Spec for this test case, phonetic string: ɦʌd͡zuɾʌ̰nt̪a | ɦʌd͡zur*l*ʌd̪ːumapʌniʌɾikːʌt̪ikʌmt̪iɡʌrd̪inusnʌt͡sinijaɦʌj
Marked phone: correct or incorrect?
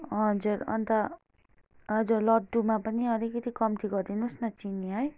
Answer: correct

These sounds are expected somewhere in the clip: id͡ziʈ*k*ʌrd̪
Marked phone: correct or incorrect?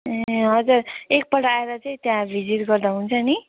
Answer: incorrect: ɡ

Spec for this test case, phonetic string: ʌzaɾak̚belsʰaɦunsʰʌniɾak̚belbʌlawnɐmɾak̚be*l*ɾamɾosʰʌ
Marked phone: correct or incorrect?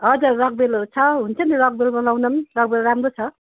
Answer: correct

